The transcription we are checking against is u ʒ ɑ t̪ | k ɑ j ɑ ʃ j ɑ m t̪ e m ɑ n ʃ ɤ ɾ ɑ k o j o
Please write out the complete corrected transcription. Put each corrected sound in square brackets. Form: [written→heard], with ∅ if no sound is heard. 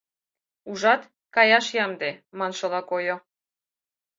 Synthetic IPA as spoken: u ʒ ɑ t̪ | k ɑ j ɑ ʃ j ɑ m [t̪→d̪] e m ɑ n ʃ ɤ [ɾ→l] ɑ k o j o

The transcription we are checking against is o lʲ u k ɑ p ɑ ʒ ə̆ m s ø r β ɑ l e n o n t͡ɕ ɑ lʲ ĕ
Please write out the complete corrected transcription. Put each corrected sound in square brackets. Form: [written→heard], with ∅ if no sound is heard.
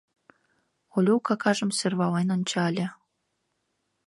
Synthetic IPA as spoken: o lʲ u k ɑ [p→k] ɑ ʒ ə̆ m s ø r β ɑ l e n o n t͡ɕ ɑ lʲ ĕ

